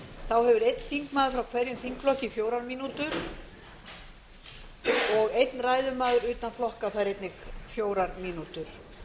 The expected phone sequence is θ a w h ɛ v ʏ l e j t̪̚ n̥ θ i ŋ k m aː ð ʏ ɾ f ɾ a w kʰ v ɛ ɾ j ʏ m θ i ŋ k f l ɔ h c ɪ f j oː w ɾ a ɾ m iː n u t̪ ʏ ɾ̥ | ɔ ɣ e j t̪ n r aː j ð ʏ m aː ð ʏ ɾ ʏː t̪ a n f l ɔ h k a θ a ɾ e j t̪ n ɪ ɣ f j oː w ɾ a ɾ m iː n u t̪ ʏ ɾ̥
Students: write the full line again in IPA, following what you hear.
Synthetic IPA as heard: θ a w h ɛ v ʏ ɾ e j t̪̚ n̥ θ i ŋ k m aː ð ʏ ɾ f ɾ a w kʰ v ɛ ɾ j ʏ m θ i ŋ k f l ɔ h c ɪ f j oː w ɾ a ɾ m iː n u t̪ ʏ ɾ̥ | ɔ ɣ e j t̪ n r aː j ð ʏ m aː ð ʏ ɾ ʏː t̪ a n f l ɔ h k a θ a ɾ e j t̪ n ɪ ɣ f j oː w ɾ a ɾ m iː n u t̪ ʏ ɾ̥